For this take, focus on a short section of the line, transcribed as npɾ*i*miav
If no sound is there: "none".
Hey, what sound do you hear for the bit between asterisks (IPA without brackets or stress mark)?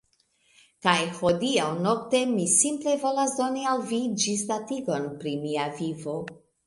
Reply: i